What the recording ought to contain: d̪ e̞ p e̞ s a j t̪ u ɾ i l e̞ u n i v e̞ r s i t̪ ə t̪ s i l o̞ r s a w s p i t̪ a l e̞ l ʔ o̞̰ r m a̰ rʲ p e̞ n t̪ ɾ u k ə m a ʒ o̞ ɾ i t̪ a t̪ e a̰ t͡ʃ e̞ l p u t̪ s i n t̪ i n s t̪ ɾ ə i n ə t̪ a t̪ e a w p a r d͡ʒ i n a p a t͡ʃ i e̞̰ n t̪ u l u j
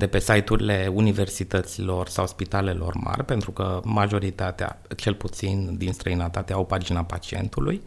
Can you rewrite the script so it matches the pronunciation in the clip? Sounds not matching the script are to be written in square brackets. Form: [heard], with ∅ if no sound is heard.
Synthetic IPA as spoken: d̪ e̞ p e̞ s a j t̪ u ɾ i l e̞ u n i v e̞ r s i t̪ ə t̪ s i l o̞ r s a w s p i t̪ a l e̞ l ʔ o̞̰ r m a̰ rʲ p e̞ n t̪ ɾ u k ə m a ʒ o̞ ɾ i t̪ a t̪ e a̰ t͡ʃ e̞ l p u t̪ s i n [d̪] i n s t̪ ɾ ə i n ə t̪ a t̪ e a w p a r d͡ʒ i n a p a t͡ʃ i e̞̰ n t̪ u l u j